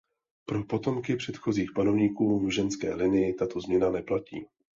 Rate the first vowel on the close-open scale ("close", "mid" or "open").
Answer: mid